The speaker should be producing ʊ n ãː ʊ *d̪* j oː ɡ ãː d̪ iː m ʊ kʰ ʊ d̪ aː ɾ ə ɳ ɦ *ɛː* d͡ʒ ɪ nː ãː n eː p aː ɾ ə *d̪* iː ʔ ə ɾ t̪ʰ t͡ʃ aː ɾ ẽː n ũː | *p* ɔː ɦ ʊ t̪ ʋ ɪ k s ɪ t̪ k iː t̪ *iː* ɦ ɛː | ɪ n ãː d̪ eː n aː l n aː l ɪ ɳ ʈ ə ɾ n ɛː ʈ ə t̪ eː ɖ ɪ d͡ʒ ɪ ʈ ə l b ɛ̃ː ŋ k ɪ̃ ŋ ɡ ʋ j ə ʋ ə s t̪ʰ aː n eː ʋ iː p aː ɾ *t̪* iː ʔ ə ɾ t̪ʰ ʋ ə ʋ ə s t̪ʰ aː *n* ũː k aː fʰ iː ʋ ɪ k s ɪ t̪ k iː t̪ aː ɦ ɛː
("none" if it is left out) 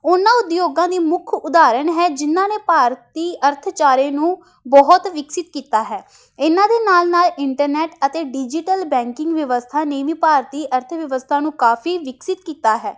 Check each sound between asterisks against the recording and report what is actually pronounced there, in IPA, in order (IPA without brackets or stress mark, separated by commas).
d̪, ɛː, t̪, b, aː, t̪, n